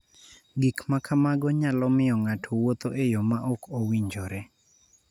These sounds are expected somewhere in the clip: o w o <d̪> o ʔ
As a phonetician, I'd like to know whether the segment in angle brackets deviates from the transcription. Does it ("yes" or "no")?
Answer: yes